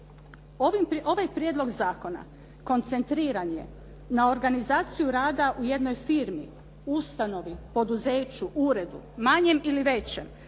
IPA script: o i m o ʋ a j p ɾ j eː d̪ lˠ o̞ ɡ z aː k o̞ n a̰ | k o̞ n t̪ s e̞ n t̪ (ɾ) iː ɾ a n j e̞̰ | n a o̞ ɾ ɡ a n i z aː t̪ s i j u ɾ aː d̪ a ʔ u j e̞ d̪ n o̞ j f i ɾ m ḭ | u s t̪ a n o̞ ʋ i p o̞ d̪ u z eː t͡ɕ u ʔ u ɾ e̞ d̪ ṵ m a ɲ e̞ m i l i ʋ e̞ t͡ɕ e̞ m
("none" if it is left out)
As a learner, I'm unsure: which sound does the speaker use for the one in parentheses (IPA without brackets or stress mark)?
ɾ